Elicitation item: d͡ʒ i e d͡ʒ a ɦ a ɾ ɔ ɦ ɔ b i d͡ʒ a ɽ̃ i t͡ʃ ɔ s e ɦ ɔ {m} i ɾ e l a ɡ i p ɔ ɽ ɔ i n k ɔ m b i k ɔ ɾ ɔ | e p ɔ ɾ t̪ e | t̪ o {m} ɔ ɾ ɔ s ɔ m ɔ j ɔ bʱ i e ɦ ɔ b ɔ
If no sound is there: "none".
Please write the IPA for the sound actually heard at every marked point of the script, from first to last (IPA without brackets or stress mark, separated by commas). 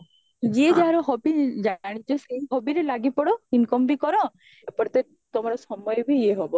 b, m